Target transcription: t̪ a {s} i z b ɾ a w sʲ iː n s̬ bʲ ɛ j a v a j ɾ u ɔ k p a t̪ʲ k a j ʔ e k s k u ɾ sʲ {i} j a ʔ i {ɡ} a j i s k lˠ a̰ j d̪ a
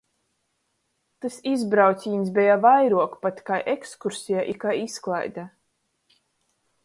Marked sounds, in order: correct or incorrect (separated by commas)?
correct, correct, incorrect